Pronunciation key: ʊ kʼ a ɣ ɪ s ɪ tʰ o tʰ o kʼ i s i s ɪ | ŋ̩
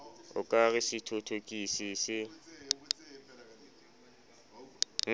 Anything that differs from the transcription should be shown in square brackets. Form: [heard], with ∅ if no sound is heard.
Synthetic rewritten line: ʊ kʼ a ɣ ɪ s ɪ tʰ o tʰ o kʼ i s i s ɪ | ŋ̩